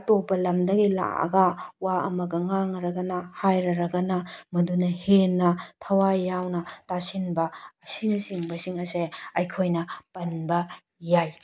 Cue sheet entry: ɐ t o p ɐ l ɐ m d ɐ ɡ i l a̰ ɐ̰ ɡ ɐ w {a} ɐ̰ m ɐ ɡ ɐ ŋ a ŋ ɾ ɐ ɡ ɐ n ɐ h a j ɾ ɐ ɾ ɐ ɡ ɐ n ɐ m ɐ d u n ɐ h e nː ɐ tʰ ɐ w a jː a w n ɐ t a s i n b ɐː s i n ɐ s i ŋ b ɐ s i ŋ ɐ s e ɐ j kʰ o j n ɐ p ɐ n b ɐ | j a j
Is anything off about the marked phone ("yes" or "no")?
no